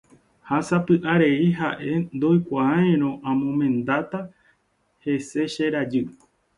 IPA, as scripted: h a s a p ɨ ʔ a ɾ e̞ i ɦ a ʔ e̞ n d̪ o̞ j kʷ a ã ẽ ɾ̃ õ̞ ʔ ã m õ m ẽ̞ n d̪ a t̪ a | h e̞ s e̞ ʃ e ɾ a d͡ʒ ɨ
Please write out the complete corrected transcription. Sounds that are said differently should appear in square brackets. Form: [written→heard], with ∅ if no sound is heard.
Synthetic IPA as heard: h a s a p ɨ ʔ a ɾ e̞ i ɦ a ʔ e̞ n d̪ o̞ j kʷ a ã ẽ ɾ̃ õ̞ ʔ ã m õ m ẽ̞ n d̪ a t̪ a | h e̞ s e̞ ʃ e ɾ a d͡ʒ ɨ